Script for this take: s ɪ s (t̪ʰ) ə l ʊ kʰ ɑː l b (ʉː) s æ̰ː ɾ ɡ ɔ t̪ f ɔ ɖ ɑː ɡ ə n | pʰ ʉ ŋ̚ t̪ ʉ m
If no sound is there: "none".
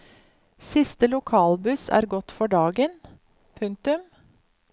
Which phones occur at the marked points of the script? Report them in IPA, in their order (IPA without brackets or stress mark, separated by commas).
t̪, ʉ